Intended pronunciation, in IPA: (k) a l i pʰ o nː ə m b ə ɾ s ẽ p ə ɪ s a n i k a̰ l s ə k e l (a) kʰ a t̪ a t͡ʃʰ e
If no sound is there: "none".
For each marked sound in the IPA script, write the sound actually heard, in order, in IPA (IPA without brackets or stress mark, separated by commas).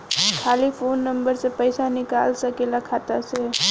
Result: kʰ, a